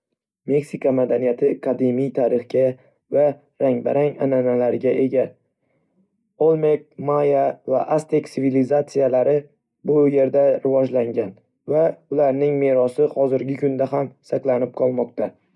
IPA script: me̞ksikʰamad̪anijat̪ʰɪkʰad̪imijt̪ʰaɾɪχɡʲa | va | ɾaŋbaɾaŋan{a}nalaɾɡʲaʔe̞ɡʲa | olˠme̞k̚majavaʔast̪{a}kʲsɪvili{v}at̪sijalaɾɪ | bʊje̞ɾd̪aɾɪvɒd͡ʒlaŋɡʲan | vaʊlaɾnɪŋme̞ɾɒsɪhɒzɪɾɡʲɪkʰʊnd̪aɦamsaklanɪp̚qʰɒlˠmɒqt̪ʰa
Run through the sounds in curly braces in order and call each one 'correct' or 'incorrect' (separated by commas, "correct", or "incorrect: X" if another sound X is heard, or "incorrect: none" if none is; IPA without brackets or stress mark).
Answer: correct, incorrect: e, incorrect: z